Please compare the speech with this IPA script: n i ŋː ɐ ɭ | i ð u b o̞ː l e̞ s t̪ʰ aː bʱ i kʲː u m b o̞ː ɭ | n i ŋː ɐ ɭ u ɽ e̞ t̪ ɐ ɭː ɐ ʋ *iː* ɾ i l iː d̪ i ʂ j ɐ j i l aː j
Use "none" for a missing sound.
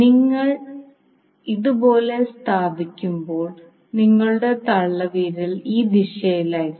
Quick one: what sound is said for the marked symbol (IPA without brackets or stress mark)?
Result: iː